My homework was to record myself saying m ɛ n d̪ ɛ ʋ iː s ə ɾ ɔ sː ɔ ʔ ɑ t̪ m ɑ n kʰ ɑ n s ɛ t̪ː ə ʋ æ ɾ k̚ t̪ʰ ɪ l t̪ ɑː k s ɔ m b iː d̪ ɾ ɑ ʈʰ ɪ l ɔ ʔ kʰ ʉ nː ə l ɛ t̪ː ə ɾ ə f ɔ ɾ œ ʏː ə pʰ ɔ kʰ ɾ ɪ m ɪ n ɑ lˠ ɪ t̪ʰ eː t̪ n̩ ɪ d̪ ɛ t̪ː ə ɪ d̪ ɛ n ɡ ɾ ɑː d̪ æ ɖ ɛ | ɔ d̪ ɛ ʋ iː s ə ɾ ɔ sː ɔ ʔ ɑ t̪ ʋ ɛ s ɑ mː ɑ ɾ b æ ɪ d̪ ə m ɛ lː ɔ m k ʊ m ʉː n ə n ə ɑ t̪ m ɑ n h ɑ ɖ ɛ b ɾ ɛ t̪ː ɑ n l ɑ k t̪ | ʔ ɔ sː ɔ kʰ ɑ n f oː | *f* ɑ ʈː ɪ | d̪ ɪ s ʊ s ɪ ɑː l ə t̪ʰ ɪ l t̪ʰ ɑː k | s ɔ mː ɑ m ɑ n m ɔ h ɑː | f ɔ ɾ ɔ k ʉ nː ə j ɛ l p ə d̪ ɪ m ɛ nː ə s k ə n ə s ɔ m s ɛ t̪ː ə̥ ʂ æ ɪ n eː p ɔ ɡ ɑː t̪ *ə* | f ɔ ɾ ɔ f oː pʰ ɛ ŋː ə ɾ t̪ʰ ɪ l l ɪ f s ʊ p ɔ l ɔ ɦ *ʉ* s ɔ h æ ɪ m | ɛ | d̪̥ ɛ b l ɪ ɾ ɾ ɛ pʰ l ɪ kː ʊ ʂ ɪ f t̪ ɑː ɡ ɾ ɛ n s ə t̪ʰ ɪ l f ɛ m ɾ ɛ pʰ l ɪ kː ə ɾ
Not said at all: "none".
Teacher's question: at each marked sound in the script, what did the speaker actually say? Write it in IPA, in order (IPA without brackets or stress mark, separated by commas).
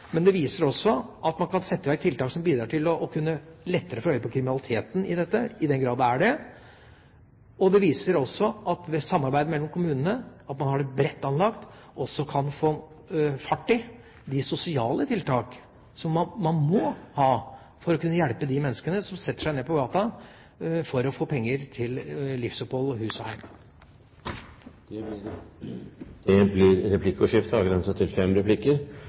f, ɑ, ʉː